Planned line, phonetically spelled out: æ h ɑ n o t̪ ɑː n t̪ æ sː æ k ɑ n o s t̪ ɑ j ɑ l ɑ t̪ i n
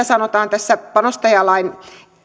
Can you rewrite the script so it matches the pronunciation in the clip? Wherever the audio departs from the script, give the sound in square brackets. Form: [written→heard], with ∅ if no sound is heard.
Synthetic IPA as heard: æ [h→s] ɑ n o t̪ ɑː n t̪ æ sː æ [k→p] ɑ n o s t̪ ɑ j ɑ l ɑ [t̪→∅] i n